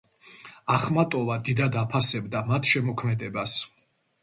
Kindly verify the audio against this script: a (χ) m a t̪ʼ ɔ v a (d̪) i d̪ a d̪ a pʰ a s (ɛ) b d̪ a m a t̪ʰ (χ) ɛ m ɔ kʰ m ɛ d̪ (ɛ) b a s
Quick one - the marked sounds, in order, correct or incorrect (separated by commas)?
correct, correct, correct, incorrect, correct